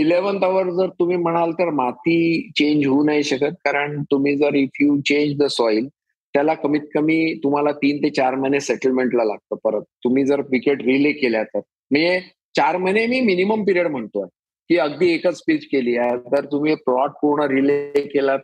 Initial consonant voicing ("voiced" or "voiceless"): voiced